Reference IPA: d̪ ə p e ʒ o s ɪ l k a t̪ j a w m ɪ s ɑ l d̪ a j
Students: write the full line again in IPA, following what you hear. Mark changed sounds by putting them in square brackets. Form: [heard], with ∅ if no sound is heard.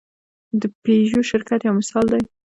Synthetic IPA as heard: d̪ ə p e ʒ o [ʃ] ɪ [ɾ] k a t̪ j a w m ɪ s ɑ l d̪ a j